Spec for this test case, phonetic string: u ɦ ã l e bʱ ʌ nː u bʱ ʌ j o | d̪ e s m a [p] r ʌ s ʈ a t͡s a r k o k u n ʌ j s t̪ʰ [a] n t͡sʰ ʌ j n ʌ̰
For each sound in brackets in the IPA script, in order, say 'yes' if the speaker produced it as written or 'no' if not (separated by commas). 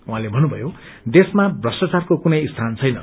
no, yes